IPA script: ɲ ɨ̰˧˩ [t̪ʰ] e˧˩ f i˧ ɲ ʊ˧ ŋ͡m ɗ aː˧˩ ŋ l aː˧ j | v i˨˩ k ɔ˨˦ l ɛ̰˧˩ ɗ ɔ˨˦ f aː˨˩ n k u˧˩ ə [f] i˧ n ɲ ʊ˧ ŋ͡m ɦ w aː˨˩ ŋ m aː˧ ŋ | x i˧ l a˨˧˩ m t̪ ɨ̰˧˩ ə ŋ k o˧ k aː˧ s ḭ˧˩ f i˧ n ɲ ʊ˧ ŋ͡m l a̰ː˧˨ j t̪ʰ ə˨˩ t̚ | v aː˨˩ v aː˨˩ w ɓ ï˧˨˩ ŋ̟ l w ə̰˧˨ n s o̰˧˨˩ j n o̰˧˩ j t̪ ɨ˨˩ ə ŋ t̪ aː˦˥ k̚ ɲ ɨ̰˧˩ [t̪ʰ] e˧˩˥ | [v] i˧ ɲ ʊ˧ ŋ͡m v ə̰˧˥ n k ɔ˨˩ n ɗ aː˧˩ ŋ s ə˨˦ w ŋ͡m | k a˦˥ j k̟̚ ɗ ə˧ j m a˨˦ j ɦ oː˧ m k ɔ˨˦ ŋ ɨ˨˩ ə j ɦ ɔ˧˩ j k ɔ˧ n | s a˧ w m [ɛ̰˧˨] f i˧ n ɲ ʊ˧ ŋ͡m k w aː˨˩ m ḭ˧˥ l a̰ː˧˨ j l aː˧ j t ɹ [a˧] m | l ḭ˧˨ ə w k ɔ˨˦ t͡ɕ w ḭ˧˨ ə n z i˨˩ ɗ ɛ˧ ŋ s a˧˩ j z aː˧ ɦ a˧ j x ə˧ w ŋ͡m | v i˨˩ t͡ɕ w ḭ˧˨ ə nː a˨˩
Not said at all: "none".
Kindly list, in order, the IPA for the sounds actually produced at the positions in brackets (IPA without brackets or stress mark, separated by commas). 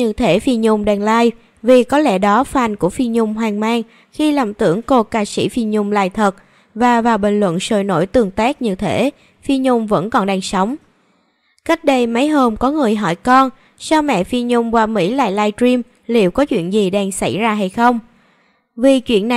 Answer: t̪ʰ, f, t̪ʰ, f, ɛ̰˧˨, i˧